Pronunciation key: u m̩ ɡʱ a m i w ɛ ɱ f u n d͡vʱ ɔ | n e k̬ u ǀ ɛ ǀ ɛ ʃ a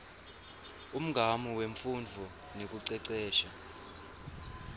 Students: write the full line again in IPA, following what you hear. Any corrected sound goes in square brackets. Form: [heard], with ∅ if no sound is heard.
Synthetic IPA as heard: u m̩ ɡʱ a m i w [e] ɱ f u n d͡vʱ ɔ | n e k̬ u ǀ ɛ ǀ [ɛː] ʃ a